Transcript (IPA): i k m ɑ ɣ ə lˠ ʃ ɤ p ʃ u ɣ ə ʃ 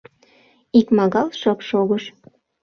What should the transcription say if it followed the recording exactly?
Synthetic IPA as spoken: i k m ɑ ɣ ɑ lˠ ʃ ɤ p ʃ o ɣ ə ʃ